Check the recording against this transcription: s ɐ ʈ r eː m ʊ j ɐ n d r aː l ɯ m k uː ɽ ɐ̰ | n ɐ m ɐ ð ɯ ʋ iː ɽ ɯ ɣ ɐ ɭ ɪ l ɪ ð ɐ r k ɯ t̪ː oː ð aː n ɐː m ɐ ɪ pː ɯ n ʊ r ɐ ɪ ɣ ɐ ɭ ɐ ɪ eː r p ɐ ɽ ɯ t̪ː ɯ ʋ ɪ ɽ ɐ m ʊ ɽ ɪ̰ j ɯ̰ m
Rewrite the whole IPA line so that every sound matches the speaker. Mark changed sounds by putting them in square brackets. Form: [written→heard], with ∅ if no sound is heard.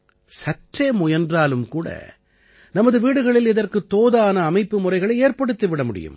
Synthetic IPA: s ɐ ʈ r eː m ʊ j ɐ n d r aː l ɯ m k uː ɽ ɐ̰ | n ɐ m ɐ ð ɯ ʋ iː ɽ ɯ ɣ ɐ ɭ ɪ l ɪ ð ɐ r k ɯ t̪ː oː ð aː n ɐː m ɐ ɪ pː ɯ [n→m] ʊ r ɐ ɪ ɣ ɐ ɭ ɐ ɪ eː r p ɐ ɽ ɯ t̪ː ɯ ʋ ɪ ɽ ɐ m ʊ ɽ ɪ̰ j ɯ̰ m

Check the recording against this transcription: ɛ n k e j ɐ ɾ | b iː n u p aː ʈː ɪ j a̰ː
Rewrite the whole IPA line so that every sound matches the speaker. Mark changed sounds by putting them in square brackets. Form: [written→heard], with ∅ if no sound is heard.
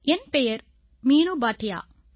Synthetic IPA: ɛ n [k→p] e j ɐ ɾ | [b→m] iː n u [p→b] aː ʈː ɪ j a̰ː

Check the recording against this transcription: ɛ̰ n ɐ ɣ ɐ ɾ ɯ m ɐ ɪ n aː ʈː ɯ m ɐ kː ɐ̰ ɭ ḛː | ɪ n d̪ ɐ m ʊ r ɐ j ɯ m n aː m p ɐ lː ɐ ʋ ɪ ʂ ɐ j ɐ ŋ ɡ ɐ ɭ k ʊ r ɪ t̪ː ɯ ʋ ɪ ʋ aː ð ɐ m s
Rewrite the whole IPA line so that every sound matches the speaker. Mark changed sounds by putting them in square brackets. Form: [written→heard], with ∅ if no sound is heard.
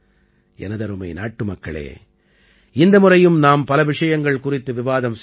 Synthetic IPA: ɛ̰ n ɐ [ɣ→ð] ɐ ɾ ɯ m ɐ ɪ n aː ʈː ɯ m ɐ kː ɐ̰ ɭ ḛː | ɪ n d̪ ɐ m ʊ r ɐ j ɯ m n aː m p ɐ [lː→l] ɐ ʋ ɪ ʂ ɐ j ɐ ŋ ɡ ɐ ɭ k ʊ r ɪ t̪ː ɯ ʋ ɪ ʋ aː ð ɐ m s

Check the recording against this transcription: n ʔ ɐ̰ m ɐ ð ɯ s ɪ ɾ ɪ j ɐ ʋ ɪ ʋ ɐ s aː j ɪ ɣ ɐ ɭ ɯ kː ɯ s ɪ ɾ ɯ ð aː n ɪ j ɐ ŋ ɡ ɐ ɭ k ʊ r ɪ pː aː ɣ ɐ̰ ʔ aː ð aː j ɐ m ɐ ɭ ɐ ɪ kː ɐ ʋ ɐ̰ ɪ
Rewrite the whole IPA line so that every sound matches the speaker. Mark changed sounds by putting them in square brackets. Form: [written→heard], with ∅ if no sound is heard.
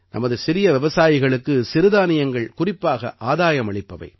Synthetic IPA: n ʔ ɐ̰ m ɐ ð ɯ s ɪ ɾ ɪ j ɐ ʋ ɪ ʋ ɐ s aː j ɪ ɣ ɐ ɭ ɯ kː ɯ s ɪ ɾ ɯ ð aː n ɪ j ɐ ŋ ɡ ɐ ɭ k ʊ r ɪ pː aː ɣ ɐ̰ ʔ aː ð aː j ɐ m ɐ ɭ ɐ ɪ [kː→pː] ɐ ʋ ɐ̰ ɪ

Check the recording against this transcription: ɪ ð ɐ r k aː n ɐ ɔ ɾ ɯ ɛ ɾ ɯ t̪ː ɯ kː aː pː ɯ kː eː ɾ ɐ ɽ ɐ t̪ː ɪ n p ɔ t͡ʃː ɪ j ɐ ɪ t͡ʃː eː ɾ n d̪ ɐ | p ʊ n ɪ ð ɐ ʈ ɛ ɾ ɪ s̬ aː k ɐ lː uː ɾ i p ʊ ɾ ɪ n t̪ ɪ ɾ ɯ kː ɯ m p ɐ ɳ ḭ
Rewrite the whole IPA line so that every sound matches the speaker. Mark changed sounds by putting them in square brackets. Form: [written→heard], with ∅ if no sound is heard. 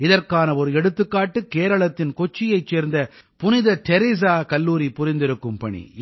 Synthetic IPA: ɪ ð ɐ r k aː n ɐ ɔ ɾ ɯ ɛ [ɾ→ɽ] ɯ t̪ː ɯ kː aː [pː→ʈː] ɯ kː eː ɾ ɐ [ɽ→ɭ] ɐ t̪ː ɪ n [p→k] ɔ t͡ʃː ɪ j ɐ ɪ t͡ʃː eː ɾ n d̪ ɐ | p ʊ n ɪ ð ɐ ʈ ɛ ɾ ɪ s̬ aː k ɐ lː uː ɾ i p ʊ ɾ ɪ n [t̪→d̪] ɪ ɾ ɯ kː ɯ m p ɐ ɳ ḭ

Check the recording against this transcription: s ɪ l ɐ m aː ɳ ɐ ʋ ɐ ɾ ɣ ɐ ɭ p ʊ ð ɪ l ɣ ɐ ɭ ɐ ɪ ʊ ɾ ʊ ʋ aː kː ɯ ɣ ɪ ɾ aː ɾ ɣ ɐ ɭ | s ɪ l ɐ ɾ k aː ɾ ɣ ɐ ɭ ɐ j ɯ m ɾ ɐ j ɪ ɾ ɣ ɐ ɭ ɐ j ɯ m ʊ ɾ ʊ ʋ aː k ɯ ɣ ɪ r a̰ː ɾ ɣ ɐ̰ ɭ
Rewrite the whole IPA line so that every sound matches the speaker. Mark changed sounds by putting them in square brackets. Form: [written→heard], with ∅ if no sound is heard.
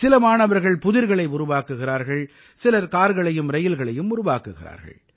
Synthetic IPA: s ɪ l ɐ m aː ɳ ɐ ʋ ɐ ɾ ɣ ɐ ɭ p ʊ ð ɪ [l→ɾ] ɣ ɐ ɭ ɐ ɪ ʊ ɾ ʊ ʋ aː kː ɯ ɣ ɪ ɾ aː ɾ ɣ ɐ ɭ | s ɪ l ɐ ɾ k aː ɾ ɣ ɐ ɭ ɐ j ɯ m ɾ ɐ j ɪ [ɾ→l] ɣ ɐ ɭ ɐ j ɯ m ʊ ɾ ʊ ʋ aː k ɯ ɣ ɪ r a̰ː ɾ ɣ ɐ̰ ɭ

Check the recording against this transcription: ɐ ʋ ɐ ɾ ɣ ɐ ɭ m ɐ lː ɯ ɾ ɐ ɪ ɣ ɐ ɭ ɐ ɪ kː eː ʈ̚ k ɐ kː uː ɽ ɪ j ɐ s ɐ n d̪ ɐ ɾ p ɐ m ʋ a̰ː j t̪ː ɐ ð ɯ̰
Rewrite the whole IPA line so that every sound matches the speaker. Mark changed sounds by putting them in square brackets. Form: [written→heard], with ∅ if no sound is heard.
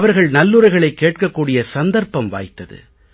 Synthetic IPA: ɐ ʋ ɐ ɾ ɣ ɐ ɭ [m→n] ɐ lː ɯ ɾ ɐ ɪ ɣ ɐ ɭ ɐ ɪ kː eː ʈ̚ k ɐ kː uː ɽ ɪ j ɐ s ɐ n d̪ ɐ ɾ p ɐ m ʋ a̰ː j t̪ː ɐ ð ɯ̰

